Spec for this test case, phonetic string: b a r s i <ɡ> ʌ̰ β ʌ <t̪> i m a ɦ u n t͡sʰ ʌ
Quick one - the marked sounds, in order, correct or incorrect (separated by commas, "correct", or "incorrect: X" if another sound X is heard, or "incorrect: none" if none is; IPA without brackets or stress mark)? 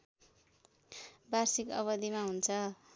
incorrect: k, incorrect: d̪